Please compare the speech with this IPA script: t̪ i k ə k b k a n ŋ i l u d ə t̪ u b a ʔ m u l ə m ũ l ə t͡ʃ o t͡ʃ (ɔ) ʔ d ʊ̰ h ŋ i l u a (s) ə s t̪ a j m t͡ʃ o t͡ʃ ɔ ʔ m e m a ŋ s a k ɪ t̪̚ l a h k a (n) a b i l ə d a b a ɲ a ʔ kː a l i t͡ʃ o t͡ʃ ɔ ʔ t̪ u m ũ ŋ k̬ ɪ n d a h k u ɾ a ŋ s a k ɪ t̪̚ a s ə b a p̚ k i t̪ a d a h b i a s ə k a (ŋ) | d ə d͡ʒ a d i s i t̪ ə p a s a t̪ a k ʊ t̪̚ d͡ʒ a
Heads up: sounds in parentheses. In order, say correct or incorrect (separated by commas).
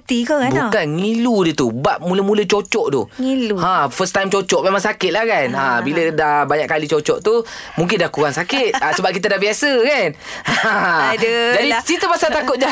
correct, incorrect, correct, incorrect